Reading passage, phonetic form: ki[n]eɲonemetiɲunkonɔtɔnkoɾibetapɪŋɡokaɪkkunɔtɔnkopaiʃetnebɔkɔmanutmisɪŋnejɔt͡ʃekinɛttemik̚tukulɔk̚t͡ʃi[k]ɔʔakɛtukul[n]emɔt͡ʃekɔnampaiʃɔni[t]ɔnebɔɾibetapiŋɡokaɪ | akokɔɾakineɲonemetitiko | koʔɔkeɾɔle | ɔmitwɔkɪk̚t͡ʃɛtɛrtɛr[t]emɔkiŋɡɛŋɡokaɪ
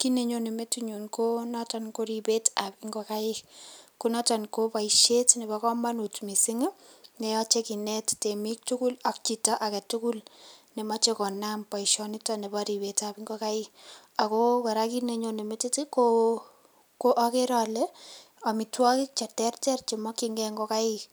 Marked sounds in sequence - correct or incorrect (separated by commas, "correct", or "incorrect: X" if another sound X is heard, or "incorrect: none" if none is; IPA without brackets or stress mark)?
correct, incorrect: t, correct, correct, incorrect: t͡ʃ